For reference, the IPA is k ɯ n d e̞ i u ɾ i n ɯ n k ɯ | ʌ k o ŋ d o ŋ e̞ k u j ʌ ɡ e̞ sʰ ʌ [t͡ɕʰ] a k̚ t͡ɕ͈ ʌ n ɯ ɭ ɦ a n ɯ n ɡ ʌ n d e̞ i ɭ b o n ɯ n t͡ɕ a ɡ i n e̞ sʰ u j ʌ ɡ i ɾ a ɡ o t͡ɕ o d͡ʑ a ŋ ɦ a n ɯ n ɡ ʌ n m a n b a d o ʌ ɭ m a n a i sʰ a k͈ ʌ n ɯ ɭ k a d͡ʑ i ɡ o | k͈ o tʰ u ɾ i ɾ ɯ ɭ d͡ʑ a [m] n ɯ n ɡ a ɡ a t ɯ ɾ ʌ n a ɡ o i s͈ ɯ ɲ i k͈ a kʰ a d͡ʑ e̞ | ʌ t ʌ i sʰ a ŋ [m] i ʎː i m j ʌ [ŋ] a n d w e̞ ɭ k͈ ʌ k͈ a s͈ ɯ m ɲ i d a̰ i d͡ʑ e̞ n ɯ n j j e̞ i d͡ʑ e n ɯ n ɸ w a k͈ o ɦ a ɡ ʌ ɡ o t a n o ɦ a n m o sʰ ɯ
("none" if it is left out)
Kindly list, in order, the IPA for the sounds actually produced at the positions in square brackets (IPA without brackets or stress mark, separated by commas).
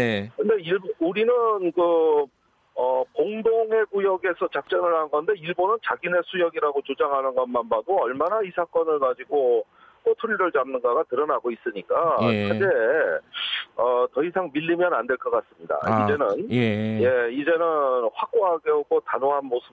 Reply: t͡ɕ, m, m, n